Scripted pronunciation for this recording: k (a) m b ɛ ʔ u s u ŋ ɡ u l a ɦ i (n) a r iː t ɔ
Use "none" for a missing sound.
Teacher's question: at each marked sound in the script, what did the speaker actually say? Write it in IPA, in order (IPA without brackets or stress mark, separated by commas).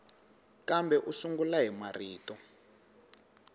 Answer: a, m